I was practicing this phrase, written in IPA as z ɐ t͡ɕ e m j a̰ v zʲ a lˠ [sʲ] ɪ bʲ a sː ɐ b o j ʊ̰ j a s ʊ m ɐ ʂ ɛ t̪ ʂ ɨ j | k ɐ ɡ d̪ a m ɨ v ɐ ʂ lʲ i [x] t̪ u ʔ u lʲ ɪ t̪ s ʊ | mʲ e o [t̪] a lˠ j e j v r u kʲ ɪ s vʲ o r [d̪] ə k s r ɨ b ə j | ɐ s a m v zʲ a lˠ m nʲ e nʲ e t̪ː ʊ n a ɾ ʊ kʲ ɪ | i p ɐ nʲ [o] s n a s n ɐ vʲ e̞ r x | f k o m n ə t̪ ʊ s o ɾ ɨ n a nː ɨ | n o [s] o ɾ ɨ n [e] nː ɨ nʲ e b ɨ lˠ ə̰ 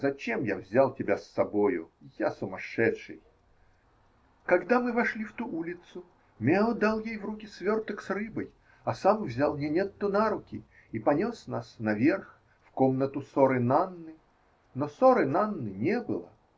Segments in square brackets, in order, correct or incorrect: incorrect: tʲ, incorrect: f, incorrect: d̪, incorrect: t̪, correct, correct, incorrect: a

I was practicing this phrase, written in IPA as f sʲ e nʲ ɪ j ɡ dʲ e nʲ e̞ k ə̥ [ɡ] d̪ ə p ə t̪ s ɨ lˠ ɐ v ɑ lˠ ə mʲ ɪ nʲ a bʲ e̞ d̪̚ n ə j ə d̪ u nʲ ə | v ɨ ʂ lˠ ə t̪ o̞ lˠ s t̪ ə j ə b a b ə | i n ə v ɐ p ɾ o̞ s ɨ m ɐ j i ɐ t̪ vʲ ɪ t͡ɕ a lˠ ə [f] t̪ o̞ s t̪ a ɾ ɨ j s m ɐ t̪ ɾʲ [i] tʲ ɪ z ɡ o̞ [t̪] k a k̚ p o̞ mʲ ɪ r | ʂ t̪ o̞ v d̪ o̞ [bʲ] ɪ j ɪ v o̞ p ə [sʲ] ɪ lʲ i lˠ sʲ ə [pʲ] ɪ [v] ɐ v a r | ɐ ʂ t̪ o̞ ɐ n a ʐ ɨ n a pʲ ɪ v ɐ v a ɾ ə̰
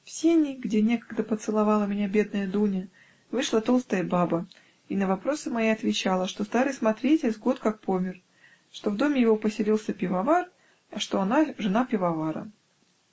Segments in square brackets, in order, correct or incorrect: correct, incorrect: ʂ, incorrect: e, correct, incorrect: mʲ, correct, correct, correct

